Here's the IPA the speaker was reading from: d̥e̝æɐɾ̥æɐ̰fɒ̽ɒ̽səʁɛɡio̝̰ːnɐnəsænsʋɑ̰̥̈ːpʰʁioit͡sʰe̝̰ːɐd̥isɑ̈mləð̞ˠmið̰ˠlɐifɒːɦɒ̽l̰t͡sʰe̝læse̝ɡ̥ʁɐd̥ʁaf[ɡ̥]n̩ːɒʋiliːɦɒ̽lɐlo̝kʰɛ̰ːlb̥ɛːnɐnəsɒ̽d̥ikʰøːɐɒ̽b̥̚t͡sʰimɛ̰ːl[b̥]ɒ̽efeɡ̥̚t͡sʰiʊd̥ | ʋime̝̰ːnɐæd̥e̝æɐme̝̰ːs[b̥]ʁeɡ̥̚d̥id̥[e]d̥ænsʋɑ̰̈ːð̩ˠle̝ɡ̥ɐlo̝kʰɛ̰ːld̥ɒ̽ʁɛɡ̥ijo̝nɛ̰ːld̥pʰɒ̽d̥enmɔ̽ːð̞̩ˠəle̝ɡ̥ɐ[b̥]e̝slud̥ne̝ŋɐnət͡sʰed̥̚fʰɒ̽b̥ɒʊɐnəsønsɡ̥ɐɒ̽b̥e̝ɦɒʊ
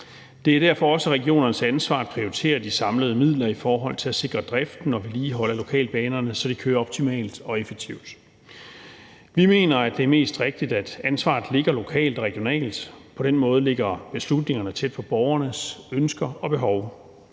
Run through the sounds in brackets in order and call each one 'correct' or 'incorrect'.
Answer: incorrect, incorrect, incorrect, incorrect, correct

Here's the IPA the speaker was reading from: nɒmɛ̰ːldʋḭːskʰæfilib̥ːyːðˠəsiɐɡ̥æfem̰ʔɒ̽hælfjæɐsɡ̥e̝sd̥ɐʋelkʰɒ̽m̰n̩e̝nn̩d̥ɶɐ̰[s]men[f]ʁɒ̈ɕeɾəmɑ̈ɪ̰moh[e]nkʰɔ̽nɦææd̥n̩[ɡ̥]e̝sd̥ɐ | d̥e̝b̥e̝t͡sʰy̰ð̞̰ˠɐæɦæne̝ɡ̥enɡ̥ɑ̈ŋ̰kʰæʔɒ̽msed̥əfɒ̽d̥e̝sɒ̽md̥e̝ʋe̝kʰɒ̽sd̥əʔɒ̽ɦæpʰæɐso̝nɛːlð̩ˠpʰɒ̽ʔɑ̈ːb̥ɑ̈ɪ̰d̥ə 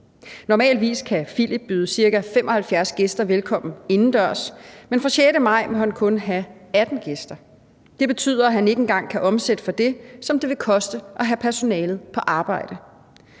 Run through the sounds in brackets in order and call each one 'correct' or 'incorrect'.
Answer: correct, correct, incorrect, correct

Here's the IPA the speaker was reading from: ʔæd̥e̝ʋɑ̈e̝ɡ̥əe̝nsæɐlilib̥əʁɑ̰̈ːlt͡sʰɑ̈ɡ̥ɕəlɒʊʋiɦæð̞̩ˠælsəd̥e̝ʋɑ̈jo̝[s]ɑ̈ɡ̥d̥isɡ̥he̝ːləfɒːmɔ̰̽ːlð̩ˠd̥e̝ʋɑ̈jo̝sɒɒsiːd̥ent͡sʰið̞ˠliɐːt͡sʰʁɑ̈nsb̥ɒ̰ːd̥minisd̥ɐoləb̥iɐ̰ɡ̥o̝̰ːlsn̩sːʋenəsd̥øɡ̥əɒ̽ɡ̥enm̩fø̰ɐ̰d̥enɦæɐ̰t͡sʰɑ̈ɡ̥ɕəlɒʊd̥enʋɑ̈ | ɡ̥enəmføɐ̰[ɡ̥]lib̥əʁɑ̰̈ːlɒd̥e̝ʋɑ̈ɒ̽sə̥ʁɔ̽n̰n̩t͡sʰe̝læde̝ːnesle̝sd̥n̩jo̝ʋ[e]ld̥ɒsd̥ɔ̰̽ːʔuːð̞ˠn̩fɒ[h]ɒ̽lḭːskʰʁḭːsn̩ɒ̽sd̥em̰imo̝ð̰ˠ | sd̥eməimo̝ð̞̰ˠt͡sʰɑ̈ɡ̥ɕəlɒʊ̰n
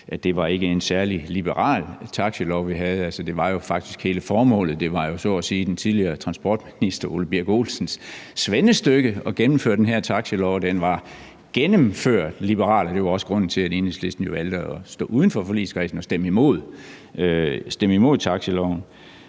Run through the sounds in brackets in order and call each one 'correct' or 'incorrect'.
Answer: incorrect, incorrect, incorrect, incorrect

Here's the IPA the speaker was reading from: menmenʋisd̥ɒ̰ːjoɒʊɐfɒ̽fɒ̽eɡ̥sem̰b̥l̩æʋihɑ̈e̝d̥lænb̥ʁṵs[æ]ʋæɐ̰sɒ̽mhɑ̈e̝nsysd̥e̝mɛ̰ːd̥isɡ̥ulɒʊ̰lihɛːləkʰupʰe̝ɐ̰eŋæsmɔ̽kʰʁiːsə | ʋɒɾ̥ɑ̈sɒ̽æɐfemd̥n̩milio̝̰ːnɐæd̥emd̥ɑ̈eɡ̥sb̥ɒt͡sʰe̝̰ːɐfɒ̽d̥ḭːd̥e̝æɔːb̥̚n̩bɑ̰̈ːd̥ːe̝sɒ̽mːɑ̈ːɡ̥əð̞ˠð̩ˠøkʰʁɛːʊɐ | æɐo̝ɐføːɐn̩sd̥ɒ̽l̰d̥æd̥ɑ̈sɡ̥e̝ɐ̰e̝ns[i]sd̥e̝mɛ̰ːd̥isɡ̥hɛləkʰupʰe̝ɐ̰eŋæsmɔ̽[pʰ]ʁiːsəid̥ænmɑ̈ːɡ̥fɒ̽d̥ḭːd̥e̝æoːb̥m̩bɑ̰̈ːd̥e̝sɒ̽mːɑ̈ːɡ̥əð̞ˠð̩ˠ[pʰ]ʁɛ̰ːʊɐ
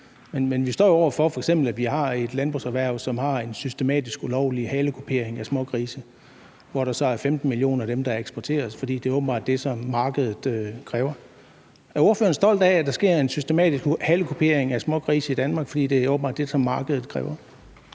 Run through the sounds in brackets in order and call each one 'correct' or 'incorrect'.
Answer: correct, incorrect, incorrect, incorrect

